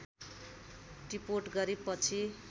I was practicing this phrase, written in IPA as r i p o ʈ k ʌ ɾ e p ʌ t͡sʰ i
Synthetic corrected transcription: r i p o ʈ ɡ ʌ ɾ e p ʌ t͡sʰ i